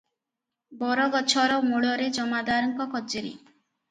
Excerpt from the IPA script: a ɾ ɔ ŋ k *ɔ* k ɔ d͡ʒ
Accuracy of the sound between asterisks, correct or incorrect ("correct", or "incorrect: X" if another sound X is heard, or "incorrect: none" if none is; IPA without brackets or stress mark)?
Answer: correct